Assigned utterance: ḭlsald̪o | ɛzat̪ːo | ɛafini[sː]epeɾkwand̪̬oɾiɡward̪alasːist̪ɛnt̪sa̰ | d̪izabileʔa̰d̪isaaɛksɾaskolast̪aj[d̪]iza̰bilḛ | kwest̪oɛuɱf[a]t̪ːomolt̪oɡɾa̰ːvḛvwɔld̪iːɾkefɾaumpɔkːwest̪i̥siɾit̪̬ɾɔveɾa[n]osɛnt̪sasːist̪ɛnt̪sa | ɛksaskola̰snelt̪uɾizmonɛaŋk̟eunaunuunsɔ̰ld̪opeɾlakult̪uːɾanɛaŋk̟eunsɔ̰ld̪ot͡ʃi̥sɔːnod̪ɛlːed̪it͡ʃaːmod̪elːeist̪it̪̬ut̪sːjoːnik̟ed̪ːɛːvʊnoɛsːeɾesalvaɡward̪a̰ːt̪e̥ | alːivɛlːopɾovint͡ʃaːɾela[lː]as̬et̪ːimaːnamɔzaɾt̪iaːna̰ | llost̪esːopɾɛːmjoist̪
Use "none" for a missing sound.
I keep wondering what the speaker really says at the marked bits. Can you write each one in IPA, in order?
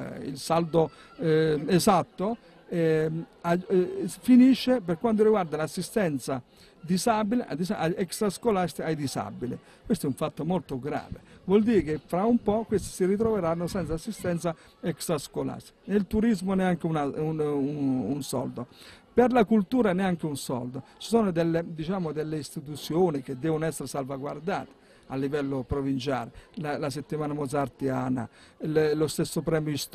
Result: ʃː, d̪, a, nː, l

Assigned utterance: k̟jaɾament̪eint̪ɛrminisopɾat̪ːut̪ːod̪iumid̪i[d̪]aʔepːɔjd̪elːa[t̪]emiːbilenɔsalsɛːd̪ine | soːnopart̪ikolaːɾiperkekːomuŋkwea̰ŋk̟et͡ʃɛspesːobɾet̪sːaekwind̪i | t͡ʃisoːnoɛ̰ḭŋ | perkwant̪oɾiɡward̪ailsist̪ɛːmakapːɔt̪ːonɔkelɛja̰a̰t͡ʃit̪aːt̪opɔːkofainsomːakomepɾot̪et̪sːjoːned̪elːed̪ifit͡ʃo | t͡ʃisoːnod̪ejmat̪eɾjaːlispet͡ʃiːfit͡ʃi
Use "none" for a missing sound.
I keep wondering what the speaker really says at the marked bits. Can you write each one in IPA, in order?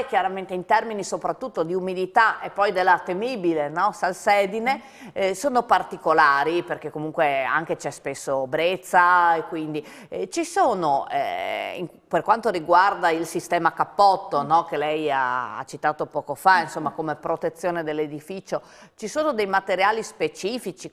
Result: t̪, t̪

